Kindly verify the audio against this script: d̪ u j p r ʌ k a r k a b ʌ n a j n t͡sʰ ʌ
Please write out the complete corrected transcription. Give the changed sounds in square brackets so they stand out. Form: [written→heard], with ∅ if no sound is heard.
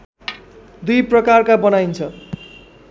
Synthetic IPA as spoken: d̪ u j p r ʌ k a r k a b ʌ n a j n t͡sʰ ʌ